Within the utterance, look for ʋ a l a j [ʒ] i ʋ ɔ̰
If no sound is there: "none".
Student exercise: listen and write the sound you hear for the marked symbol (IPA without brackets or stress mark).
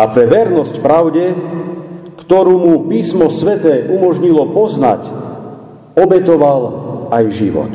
ʒ